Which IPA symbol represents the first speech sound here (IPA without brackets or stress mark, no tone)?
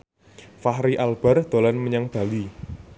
f